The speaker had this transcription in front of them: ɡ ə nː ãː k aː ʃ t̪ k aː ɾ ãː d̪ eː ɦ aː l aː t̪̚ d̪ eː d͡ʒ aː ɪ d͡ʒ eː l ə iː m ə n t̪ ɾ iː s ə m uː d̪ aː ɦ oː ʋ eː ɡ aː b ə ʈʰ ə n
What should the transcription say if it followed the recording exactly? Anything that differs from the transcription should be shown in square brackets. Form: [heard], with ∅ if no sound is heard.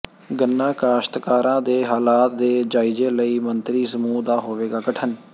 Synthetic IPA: ɡ ə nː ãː k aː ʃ t̪ k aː ɾ ãː d̪ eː ɦ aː l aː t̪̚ d̪ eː d͡ʒ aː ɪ d͡ʒ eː l ə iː m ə n t̪ ɾ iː s ə m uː d̪ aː ɦ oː ʋ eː ɡ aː [ɡ] ə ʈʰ ə n